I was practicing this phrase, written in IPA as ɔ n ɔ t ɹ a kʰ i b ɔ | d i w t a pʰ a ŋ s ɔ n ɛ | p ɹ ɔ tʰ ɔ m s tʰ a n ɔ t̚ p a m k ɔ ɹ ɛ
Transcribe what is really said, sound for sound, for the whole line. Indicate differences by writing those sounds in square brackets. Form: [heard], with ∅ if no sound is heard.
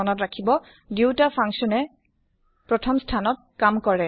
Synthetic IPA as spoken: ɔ n ɔ t ɹ a kʰ i b ɔ | d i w t a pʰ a ŋ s ɔ n ɛ | p ɹ ɔ tʰ ɔ m s tʰ a n ɔ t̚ [k] a m k ɔ ɹ ɛ